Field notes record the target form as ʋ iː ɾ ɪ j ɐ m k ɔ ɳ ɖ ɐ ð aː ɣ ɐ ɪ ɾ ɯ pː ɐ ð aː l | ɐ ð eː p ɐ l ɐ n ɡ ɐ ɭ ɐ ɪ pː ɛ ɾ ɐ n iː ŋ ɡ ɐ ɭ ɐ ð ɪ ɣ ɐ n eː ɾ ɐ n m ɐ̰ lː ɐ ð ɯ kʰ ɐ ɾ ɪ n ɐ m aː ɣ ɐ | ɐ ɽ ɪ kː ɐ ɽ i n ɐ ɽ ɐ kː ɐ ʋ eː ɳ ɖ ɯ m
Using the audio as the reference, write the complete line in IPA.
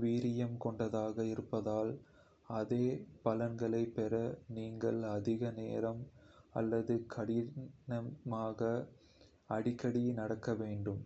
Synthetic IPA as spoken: ʋ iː ɾ ɪ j ɐ m k ɔ ɳ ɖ ɐ ð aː ɣ ɐ ɪ ɾ ɯ pː ɐ ð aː l | ɐ ð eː p ɐ l ɐ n ɡ ɐ ɭ ɐ ɪ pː ɛ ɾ ɐ n iː ŋ ɡ ɐ ɭ ɐ ð ɪ ɣ ɐ n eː ɾ ɐ m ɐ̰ lː ɐ ð ɯ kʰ ɐ ɽ ɪ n ɐ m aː ɣ ɐ | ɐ ɽ ɪ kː ɐ ɽ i n ɐ ɽ ɐ kː ɐ ʋ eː ɳ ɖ ɯ m